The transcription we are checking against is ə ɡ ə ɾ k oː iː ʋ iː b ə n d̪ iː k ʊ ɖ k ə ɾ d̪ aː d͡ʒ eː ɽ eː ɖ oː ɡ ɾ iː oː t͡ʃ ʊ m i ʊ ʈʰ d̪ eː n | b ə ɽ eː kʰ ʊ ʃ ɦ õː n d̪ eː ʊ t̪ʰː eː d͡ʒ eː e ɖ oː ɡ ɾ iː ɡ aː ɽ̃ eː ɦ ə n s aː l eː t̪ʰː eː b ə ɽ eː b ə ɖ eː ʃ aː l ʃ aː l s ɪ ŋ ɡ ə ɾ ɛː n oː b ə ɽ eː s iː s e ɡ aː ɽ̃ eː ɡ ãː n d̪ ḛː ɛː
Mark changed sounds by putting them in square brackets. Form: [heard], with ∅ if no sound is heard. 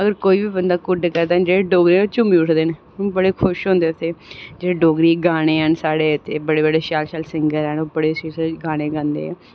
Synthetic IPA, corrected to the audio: ə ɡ ə ɾ k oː iː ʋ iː b ə n d̪ [aː] k ʊ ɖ k ə ɾ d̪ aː d͡ʒ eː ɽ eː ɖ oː ɡ ɾ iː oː t͡ʃ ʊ m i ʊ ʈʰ d̪ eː n | b ə ɽ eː kʰ ʊ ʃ ɦ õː n d̪ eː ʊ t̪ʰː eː d͡ʒ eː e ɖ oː ɡ ɾ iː ɡ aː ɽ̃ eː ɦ ə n s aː [ɽ] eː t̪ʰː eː b ə ɽ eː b ə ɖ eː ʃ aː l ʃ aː l s ɪ ŋ ɡ ə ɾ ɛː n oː b ə ɽ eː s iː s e ɡ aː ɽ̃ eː ɡ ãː n d̪ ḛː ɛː